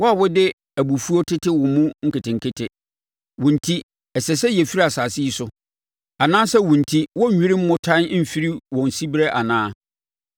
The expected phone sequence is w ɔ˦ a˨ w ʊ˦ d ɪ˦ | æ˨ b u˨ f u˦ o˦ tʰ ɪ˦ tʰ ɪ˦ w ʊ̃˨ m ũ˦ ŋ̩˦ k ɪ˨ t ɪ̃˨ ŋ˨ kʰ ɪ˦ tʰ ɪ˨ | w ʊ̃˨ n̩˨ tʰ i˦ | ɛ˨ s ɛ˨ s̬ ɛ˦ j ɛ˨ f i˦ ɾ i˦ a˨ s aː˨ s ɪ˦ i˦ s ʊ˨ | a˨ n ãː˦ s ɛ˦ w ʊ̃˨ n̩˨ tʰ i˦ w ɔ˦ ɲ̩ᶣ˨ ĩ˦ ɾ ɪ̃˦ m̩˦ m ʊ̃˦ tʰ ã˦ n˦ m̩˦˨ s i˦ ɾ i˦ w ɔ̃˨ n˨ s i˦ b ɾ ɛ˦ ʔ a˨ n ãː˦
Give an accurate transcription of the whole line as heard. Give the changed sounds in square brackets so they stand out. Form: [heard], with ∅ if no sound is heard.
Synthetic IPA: w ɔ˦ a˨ w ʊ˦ d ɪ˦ | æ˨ b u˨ f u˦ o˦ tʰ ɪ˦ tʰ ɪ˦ w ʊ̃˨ m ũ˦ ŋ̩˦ k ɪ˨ t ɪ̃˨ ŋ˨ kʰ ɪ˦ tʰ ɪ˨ | w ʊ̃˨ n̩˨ tʰ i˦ | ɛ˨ s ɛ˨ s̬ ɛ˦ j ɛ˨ f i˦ ɾ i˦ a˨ s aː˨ s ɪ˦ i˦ s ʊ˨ | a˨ n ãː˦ s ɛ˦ w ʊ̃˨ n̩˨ tʰ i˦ w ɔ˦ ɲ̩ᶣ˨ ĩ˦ ɾ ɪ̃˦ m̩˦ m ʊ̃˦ tʰ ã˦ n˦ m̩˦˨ [f] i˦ ɾ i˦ w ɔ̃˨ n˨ s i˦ b ɾ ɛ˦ ʔ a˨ n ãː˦